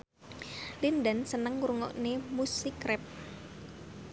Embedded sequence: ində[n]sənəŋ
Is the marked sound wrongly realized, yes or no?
no